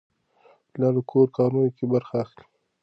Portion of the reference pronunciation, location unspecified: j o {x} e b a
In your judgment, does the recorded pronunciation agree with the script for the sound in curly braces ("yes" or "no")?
no